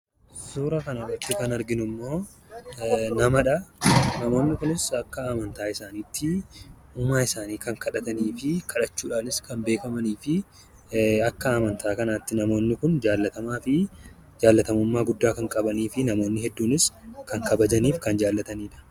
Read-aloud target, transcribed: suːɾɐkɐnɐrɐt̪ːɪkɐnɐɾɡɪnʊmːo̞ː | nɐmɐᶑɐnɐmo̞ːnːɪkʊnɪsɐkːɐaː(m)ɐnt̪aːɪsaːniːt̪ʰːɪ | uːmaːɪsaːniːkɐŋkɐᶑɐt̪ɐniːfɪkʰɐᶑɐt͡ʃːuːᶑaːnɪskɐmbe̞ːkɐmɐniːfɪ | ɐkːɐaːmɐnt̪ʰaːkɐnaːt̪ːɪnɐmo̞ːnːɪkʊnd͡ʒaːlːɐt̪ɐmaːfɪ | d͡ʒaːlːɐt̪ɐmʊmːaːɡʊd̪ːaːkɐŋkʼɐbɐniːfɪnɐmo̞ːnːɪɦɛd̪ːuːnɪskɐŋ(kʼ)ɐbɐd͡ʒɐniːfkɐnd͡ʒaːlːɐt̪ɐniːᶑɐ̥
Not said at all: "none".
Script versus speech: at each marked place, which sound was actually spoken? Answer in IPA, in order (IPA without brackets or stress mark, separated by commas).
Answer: m, k